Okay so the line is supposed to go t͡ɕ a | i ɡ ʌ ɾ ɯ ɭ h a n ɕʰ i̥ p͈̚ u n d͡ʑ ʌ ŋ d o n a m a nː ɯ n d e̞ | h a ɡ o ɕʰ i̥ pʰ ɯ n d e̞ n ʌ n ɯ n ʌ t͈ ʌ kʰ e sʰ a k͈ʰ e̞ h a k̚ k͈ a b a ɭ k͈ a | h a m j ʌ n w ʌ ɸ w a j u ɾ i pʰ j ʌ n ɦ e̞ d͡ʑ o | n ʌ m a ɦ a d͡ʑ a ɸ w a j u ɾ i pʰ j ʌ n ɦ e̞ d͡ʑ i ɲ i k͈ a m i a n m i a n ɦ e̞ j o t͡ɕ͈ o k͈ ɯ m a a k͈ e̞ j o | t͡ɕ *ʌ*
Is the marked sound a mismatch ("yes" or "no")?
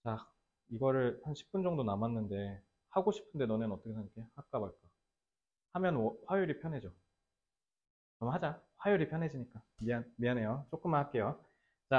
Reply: yes